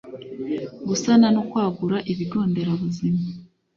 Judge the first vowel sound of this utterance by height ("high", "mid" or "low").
high